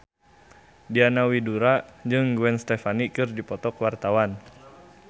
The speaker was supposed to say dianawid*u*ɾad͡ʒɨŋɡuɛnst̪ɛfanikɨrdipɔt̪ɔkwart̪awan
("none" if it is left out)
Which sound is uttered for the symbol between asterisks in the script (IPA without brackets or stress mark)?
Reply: u